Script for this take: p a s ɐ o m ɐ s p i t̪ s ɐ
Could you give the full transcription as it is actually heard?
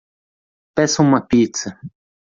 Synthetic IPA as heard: p ɛ s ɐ u m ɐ p i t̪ s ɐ